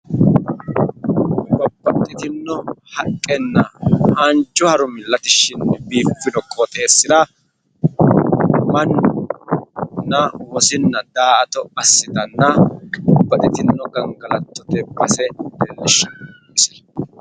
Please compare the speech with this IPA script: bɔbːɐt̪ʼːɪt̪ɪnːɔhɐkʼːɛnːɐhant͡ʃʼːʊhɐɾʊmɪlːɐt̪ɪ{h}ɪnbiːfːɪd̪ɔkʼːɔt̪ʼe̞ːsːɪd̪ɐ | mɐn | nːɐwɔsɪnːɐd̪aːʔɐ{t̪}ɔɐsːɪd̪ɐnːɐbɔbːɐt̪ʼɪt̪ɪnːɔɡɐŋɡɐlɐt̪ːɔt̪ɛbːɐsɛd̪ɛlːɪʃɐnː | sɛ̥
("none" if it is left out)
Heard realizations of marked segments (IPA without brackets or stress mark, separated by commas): ʃ, t̪